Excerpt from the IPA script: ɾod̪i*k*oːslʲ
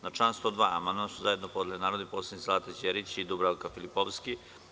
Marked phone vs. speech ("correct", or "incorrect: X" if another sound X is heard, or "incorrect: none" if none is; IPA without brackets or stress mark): incorrect: p